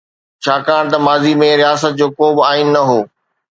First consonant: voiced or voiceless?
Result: voiceless